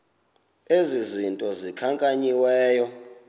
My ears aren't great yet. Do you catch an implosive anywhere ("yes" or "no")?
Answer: no